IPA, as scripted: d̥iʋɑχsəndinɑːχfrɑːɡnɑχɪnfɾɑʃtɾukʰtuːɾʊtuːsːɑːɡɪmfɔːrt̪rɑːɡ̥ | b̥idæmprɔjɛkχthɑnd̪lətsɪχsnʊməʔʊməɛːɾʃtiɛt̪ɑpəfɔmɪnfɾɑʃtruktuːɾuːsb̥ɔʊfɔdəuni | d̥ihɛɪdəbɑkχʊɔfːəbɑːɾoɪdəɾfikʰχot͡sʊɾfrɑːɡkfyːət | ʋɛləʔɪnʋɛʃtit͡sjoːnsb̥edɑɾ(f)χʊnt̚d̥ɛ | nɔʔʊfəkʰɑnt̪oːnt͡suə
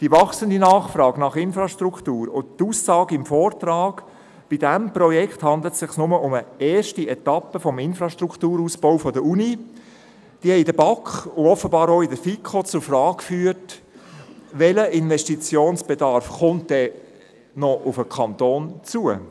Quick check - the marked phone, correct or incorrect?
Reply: correct